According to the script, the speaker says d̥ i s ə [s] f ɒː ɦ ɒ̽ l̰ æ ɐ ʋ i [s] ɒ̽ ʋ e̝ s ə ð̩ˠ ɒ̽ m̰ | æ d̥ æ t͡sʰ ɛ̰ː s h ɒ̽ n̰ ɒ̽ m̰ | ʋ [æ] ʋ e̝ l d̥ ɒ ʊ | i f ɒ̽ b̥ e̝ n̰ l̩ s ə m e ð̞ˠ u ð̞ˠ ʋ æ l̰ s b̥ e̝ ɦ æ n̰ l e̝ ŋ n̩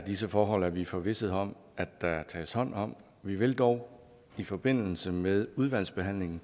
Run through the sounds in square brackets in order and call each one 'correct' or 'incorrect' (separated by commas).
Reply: incorrect, incorrect, incorrect